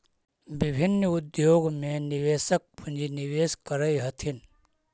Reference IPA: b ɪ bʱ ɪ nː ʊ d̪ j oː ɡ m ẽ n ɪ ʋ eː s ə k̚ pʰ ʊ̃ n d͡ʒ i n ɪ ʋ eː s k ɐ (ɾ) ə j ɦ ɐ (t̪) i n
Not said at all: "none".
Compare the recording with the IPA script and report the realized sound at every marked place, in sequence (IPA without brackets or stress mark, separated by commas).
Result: ɾ, t̪ʰ